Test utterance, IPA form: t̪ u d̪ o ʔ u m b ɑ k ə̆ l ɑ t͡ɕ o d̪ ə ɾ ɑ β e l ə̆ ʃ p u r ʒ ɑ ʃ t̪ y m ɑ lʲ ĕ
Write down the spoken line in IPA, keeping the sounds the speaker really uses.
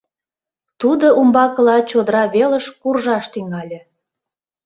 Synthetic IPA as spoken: t̪ u d̪ o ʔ u m b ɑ k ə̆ l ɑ t͡ɕ o d̪ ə ɾ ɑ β e l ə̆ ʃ k u r ʒ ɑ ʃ t̪ y ŋ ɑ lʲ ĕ